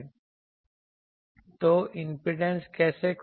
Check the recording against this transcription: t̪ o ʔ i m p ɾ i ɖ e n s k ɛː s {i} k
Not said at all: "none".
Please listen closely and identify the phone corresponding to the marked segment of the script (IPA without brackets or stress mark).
e